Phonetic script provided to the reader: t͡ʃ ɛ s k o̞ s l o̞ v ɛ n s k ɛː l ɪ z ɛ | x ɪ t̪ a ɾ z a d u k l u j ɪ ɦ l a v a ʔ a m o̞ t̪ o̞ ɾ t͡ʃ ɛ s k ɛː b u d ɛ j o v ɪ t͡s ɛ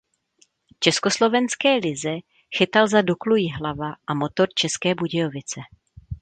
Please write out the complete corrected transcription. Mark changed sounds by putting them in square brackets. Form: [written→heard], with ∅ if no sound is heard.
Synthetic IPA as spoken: t͡ʃ ɛ s k o̞ s l o̞ v ɛ n s k ɛː l ɪ z ɛ | x ɪ t̪ a [ɾ→l] z a d u k l u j ɪ ɦ l a v a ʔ a m o̞ t̪ o̞ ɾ t͡ʃ ɛ s k ɛː b u [d→ɟ] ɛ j o v ɪ t͡s ɛ